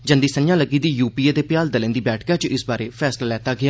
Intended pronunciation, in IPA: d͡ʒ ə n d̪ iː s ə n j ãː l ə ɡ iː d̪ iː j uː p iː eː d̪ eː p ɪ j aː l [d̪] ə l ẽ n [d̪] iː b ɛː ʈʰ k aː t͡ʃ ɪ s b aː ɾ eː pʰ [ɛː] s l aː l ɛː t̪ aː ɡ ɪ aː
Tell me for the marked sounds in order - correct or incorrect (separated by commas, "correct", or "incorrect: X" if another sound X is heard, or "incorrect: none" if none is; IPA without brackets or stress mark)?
correct, correct, correct